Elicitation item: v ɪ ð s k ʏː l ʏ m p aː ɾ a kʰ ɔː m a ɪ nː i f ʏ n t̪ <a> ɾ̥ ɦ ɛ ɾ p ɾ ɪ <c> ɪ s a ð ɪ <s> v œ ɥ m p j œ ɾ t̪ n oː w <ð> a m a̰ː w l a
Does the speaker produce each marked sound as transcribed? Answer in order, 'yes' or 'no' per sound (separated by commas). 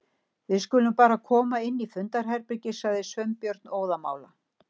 yes, yes, yes, yes